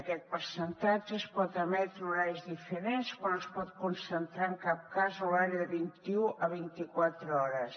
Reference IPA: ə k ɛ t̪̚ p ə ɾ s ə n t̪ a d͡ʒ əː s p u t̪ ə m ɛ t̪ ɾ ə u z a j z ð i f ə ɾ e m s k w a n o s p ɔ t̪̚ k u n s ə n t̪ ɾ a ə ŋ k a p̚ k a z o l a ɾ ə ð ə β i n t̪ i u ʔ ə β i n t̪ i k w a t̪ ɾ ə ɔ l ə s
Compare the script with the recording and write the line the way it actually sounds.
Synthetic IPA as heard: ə k ɛ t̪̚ p ə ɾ s ə n t̪ a d͡ʒ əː s p ɔ t̪ ə m ɛ t̪ ɾ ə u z a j z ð i f ə ɾ e n s k w a n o s p ɔ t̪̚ k u n s ə n t̪ ɾ a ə ŋ k a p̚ k a z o l a ɾ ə ð ə β i n t̪ i u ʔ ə β i n t̪ i k w a t̪ ɾ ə ɔ ɾ ə s